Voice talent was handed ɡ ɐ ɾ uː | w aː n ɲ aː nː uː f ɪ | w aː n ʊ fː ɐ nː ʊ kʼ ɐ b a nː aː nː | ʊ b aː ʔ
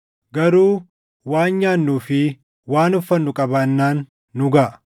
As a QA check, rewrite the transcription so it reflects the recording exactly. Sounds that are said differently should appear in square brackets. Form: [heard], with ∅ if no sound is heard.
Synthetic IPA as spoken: ɡ ɐ ɾ uː | w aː n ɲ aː nː uː f ɪ | w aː n ʊ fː ɐ nː ʊ kʼ ɐ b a nː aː nː | ʊ [ɡ] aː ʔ